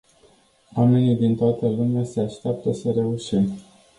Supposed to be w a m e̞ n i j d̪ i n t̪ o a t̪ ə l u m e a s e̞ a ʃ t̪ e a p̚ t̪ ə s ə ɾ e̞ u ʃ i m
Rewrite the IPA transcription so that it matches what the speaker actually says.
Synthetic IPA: w a m e̞ n i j d̪ i n t̪ o a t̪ ə l u m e a s e̞ a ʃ t̪ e a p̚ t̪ ə s ə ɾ e̞ u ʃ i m